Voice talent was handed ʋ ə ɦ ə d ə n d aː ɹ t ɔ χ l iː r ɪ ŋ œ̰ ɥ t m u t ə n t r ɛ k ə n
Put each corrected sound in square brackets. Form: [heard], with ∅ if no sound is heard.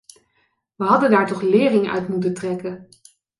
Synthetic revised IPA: ʋ ə ɦ [ɑ] d ə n d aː ɹ t ɔ χ l [ɪː] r ɪ ŋ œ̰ ɥ t m u t ə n t r ɛ k ə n